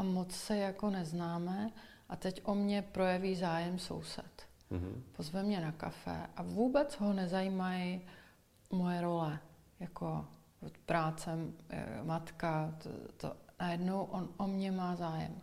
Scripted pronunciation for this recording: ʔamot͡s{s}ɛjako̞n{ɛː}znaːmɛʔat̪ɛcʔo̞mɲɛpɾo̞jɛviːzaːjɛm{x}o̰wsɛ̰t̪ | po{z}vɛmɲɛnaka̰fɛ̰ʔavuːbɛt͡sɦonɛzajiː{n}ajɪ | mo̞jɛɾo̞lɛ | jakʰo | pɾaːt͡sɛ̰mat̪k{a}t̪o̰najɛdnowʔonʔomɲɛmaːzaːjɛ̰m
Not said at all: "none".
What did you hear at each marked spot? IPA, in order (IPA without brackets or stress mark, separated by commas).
s, ɛ, s, z, m, a